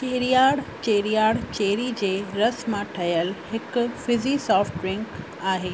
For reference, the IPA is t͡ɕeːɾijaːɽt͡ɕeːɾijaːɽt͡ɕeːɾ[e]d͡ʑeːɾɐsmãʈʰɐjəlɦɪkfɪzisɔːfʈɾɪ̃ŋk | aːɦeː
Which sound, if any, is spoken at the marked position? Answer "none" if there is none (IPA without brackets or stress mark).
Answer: i